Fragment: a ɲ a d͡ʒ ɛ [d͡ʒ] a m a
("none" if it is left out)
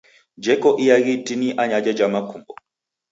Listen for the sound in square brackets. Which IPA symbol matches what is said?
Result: d͡ʒ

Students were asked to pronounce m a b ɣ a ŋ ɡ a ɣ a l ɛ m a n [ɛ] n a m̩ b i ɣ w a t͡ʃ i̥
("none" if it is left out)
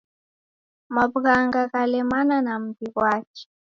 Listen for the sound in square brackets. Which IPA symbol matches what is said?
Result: a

